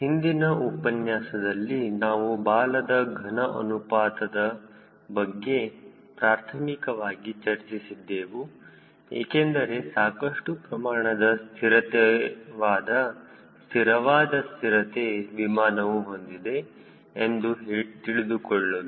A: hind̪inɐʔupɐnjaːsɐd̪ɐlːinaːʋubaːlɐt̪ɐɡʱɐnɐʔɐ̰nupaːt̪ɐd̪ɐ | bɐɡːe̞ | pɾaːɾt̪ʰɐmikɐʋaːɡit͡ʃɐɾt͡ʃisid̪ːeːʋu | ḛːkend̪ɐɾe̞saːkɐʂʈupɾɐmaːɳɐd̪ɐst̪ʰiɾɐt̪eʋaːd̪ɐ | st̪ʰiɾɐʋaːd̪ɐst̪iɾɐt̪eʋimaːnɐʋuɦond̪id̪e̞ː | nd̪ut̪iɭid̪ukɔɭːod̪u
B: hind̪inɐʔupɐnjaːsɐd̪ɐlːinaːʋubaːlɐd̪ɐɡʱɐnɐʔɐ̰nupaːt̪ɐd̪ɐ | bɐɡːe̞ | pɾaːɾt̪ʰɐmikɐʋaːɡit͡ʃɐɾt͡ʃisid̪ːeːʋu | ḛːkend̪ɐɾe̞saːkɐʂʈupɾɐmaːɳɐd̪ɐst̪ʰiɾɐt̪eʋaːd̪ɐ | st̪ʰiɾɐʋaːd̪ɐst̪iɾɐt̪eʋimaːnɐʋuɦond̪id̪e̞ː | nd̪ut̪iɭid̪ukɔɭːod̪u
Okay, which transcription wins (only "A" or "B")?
B